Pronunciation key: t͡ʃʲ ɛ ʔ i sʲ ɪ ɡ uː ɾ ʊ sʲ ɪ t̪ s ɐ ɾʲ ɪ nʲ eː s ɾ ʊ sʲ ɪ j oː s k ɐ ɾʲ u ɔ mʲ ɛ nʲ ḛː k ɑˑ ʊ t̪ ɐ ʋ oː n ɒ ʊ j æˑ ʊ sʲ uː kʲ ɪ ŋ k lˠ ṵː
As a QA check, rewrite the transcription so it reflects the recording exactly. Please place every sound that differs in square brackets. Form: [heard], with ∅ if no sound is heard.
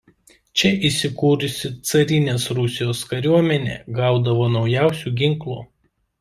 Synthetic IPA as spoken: t͡ʃʲ ɛ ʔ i sʲ ɪ [k] uː ɾ ʊ sʲ ɪ t̪ s ɐ ɾʲ ɪ nʲ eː s ɾ ʊ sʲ ɪ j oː s k ɐ ɾʲ u ɔ mʲ ɛ nʲ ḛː [ɡ] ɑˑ ʊ [d̪] ɐ ʋ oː n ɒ ʊ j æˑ ʊ sʲ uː [ɡʲ] ɪ ŋ k lˠ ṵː